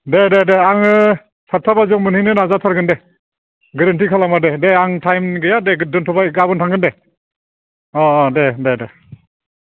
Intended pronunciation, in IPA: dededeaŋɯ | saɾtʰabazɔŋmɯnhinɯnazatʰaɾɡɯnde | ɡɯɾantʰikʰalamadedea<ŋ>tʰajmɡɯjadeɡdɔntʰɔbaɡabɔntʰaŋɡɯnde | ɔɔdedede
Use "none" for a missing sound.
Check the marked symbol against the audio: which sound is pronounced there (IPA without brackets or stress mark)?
ŋ